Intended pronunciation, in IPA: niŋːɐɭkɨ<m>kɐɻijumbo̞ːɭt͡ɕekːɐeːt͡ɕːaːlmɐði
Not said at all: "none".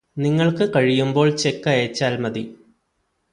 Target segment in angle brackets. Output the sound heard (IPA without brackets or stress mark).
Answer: none